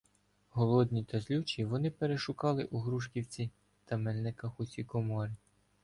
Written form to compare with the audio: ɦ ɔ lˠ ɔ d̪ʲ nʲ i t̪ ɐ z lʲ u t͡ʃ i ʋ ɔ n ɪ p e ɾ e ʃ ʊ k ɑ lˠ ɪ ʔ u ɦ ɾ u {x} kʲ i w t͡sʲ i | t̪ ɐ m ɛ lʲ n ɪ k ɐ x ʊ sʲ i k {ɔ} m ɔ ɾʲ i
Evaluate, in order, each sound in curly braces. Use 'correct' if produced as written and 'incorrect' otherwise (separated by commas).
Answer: incorrect, correct